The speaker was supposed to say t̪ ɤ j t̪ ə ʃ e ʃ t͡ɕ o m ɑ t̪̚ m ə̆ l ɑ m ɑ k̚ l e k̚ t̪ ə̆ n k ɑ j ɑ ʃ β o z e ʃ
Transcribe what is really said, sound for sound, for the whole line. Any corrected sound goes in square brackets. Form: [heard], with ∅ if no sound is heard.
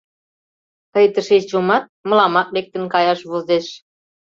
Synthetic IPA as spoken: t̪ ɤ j t̪ ə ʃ e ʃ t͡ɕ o m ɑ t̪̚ m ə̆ l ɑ m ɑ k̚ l e k̚ t̪ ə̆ n k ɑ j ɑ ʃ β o z e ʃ